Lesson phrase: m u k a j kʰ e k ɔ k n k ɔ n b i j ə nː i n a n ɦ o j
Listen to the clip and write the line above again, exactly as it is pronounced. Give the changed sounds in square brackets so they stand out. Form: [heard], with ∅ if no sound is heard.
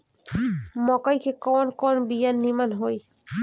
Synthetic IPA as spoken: m [ɔ] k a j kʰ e k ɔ [∅] n k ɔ n b i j [a] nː i [m] a n ɦ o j